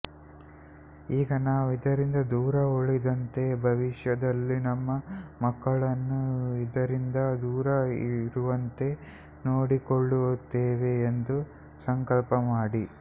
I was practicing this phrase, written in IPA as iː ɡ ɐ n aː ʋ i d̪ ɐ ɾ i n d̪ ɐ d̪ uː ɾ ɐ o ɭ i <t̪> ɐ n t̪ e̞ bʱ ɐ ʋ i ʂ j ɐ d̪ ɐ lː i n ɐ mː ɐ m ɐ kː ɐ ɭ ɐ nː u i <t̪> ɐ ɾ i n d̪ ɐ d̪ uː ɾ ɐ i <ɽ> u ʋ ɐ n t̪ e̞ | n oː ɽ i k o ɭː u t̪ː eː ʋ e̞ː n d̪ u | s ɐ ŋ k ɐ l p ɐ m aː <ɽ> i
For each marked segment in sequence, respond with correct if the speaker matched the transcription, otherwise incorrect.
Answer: incorrect: d̪, incorrect: d̪, incorrect: ɾ, correct

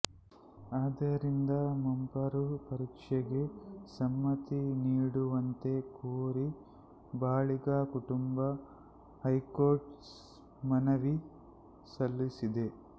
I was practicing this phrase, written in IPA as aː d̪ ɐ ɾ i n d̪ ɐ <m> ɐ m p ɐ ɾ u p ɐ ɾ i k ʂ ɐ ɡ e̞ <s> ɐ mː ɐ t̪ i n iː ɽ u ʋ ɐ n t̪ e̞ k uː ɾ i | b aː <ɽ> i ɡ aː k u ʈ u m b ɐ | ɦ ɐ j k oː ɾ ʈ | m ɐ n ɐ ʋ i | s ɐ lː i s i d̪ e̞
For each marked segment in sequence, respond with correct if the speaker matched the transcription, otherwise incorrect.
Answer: correct, correct, incorrect: ɭ

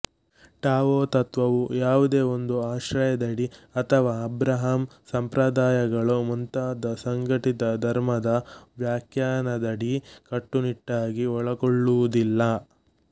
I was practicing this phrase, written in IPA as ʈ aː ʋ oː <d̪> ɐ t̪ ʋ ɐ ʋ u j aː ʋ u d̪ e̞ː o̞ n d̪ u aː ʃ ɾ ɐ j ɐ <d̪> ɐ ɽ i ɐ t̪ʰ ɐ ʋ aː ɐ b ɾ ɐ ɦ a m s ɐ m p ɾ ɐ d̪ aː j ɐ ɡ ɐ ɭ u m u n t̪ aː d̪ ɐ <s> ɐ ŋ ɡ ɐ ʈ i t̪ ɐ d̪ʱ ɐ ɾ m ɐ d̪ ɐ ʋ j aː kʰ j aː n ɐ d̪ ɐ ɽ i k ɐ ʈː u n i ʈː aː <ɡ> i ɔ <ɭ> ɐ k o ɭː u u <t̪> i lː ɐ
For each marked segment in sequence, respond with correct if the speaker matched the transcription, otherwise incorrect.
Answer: incorrect: t̪, correct, correct, correct, correct, incorrect: d̪

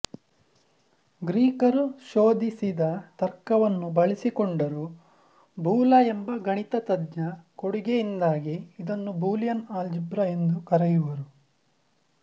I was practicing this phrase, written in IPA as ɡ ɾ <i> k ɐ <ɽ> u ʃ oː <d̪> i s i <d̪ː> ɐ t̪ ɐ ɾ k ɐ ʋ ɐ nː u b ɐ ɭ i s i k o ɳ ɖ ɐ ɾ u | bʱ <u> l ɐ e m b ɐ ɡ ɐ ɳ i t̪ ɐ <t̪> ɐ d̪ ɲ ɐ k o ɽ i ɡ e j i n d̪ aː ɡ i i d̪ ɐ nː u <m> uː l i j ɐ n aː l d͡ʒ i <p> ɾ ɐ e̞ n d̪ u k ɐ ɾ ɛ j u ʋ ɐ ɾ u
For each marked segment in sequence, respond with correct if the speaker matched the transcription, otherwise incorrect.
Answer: incorrect: iː, incorrect: ɾ, correct, incorrect: d̪, incorrect: uː, correct, incorrect: b, incorrect: b

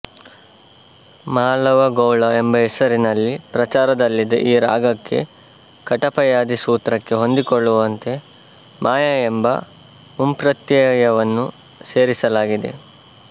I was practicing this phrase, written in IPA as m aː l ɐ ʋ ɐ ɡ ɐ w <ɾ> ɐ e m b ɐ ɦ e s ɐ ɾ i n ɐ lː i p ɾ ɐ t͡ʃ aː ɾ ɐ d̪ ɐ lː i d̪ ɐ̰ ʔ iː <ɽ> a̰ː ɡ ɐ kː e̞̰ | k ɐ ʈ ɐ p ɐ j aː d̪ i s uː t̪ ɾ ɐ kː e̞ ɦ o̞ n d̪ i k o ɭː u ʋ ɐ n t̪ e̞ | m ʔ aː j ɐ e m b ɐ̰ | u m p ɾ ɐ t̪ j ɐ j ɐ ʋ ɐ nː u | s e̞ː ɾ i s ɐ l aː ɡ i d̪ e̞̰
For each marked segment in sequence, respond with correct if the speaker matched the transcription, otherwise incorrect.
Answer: incorrect: ɭ, incorrect: ɾ

